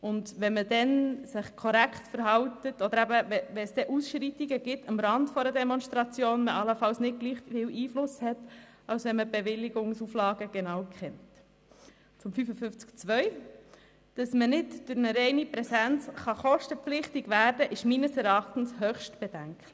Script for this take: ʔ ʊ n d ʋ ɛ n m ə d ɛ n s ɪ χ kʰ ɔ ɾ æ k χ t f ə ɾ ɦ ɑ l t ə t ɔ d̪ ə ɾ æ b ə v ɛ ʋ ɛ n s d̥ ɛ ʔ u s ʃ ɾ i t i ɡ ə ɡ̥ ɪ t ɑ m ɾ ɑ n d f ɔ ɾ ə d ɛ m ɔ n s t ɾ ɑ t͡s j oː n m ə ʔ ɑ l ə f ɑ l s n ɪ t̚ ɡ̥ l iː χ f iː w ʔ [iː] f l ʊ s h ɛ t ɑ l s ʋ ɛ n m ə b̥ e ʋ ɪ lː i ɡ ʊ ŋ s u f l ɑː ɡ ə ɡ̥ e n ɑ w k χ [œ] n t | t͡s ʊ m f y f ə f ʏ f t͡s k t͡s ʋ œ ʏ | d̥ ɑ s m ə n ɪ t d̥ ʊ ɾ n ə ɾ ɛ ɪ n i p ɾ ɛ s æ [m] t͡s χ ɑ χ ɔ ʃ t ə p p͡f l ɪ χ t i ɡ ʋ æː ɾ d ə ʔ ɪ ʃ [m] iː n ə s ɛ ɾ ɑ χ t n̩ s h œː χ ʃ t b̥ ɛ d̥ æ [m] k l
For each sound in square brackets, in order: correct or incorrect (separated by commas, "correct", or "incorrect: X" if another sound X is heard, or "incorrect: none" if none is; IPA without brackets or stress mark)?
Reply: correct, incorrect: ɛ, incorrect: n, correct, incorrect: ŋ